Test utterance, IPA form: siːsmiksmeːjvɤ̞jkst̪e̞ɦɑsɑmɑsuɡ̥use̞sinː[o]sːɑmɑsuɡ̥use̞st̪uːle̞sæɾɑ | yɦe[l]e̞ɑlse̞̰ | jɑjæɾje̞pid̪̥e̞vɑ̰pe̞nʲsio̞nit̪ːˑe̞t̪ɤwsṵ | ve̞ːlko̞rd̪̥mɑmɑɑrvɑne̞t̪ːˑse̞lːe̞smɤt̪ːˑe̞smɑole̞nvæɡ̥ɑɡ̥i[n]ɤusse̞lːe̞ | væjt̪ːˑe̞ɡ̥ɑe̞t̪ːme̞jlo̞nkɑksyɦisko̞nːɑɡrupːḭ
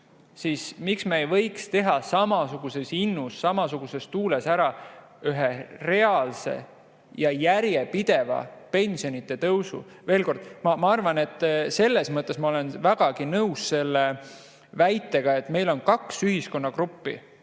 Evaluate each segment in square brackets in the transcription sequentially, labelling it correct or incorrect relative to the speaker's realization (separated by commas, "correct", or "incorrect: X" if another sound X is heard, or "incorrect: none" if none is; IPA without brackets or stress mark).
incorrect: u, incorrect: r, correct